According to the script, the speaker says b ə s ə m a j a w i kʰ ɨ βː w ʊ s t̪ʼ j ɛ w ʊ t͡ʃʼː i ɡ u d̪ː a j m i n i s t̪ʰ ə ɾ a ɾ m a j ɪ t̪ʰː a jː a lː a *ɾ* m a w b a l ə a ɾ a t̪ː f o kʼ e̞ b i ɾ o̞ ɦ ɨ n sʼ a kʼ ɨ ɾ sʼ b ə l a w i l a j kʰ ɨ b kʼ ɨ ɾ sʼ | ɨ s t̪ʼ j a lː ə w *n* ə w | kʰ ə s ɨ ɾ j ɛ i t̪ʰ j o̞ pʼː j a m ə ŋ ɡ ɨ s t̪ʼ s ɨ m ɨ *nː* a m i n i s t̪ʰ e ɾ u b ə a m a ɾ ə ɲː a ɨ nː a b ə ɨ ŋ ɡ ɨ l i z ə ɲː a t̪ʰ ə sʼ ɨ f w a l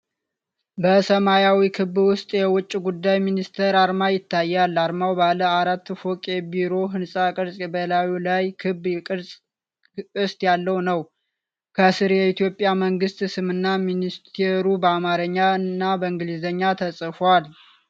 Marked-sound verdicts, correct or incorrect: correct, correct, correct

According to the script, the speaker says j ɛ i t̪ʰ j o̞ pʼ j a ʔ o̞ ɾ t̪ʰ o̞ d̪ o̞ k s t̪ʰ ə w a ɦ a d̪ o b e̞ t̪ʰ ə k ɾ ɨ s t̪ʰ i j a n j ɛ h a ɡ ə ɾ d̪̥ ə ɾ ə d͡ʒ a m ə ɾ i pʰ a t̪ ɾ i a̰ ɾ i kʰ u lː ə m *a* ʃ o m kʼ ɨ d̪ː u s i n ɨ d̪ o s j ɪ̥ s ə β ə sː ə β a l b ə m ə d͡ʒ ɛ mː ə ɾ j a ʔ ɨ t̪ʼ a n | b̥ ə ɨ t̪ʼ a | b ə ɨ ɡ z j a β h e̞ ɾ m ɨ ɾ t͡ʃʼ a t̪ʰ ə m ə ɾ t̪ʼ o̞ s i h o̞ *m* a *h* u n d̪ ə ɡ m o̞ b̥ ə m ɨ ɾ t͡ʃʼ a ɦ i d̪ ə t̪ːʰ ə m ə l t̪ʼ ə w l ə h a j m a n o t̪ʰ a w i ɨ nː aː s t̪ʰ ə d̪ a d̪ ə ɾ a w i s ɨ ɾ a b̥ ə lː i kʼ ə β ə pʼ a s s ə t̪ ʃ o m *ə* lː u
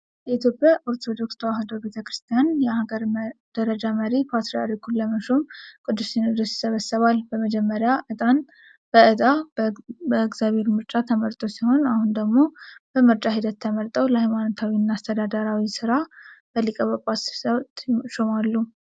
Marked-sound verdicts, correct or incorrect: incorrect: ə, incorrect: n, correct, incorrect: a

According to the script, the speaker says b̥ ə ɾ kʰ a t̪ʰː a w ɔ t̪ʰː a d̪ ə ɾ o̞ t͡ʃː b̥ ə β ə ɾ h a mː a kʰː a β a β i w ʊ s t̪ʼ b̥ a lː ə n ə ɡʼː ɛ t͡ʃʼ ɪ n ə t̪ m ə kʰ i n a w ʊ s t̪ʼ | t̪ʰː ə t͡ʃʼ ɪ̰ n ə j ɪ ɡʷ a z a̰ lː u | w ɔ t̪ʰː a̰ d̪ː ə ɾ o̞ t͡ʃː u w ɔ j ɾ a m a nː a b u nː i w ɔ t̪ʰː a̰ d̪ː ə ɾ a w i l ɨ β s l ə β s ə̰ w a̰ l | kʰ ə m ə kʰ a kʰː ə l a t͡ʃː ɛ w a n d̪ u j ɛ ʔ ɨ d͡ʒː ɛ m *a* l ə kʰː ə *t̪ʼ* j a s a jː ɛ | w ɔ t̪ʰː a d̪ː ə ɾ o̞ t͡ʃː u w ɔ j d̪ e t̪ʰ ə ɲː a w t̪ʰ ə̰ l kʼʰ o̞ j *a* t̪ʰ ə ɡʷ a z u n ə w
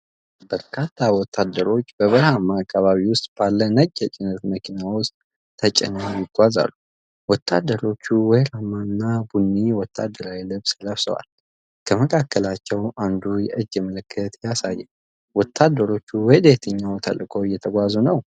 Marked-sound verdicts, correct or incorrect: incorrect: ə, incorrect: t̪, incorrect: ɛ

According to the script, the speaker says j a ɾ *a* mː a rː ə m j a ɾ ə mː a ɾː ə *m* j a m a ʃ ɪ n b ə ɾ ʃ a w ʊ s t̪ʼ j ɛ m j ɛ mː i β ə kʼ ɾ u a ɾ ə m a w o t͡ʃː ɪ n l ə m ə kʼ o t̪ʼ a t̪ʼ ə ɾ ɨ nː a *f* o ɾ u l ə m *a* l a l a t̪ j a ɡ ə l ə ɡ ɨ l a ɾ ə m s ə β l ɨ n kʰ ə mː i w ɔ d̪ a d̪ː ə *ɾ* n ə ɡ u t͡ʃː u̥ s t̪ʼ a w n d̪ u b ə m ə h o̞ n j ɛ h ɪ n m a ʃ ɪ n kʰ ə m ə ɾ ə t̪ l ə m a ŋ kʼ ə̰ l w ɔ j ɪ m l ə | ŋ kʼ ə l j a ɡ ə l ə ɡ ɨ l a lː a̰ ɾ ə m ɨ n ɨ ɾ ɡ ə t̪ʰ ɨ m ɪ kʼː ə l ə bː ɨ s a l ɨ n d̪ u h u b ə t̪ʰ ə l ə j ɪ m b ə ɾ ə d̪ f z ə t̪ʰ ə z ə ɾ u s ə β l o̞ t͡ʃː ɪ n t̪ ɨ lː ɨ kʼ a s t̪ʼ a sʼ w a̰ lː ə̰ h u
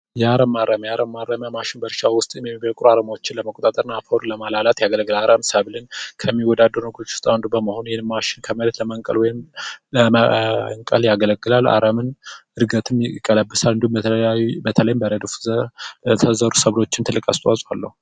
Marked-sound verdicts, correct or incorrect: incorrect: ə, correct, correct, correct, correct

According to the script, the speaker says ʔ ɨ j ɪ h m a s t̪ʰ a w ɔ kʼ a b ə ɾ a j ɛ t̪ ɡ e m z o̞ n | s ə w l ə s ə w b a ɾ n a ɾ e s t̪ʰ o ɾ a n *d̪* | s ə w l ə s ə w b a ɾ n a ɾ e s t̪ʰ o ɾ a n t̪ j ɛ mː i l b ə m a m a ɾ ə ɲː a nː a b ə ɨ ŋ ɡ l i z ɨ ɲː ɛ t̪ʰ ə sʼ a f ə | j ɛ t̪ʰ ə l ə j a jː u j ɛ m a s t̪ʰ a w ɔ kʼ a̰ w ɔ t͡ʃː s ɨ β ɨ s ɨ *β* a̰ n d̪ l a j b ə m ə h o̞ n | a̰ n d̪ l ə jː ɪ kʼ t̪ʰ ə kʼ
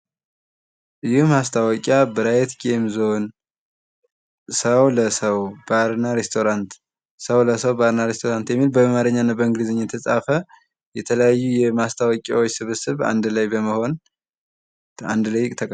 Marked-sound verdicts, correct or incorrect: incorrect: t̪, correct

